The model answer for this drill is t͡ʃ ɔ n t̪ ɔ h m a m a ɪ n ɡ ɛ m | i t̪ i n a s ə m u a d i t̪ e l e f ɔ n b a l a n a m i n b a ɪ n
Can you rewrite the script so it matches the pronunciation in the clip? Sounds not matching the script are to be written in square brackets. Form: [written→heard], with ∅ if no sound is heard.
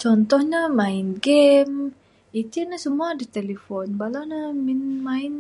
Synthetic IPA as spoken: t͡ʃ ɔ n t̪ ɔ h [m→ɲ] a m a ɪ n ɡ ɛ m | i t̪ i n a s ə m u a d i t̪ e l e f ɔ n b a l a n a m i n [b→m] a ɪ n